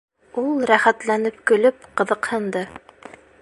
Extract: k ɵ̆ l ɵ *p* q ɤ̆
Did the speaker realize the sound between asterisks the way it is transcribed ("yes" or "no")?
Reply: yes